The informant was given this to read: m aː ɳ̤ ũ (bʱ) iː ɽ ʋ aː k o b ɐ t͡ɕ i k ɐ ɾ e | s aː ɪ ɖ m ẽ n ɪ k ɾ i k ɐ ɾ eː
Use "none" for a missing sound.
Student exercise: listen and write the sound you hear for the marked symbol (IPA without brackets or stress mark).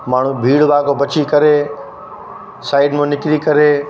bʱ